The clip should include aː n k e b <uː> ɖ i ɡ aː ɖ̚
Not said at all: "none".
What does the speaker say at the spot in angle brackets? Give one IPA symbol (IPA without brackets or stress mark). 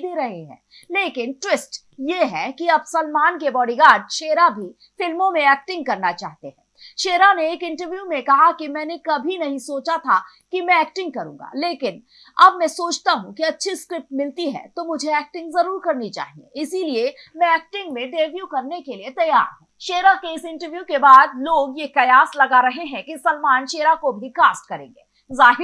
ɔː